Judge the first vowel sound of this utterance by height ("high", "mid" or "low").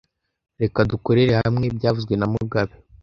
mid